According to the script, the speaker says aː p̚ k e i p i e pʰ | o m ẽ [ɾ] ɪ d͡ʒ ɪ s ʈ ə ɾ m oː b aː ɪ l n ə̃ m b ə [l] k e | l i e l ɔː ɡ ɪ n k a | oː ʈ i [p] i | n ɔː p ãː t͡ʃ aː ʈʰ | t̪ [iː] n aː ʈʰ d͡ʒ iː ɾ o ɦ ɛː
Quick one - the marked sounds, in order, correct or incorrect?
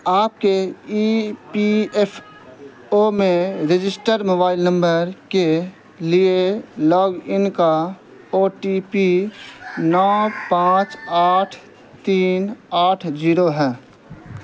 correct, incorrect: ɾ, correct, correct

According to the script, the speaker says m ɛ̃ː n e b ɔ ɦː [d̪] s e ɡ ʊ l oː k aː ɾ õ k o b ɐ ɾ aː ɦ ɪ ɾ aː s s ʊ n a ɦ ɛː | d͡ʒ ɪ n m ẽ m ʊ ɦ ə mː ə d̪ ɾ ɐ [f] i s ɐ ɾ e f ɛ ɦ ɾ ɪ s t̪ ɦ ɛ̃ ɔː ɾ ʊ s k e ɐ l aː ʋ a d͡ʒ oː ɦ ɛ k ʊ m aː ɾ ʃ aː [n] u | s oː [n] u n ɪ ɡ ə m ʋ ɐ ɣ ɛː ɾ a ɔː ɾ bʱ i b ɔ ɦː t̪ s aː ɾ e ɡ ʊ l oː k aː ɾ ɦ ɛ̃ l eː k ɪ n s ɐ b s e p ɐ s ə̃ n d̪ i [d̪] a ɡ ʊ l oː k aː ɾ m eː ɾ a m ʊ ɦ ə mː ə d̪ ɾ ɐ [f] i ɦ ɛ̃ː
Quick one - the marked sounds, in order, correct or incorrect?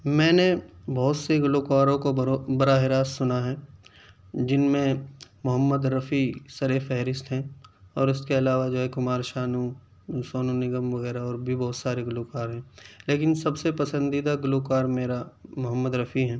incorrect: t̪, correct, correct, correct, correct, correct

